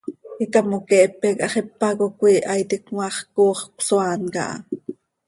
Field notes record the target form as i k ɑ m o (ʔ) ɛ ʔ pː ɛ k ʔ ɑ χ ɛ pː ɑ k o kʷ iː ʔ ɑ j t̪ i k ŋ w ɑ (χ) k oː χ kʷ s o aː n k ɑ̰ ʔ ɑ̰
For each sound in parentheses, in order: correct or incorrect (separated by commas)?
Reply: incorrect, correct